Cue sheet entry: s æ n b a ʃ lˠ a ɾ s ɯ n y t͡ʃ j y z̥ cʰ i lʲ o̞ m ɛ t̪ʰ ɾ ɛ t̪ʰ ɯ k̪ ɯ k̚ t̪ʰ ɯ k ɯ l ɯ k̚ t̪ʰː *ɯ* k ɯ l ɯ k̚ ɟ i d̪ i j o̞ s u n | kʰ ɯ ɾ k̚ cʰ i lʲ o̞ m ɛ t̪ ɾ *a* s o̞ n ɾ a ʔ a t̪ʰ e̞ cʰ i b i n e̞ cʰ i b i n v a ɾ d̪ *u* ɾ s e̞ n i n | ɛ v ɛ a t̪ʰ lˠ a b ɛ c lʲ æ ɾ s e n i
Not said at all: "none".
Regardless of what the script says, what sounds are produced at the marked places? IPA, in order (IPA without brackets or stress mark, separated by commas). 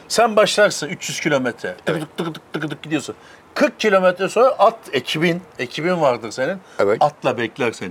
ɯ, ɛ, ɯ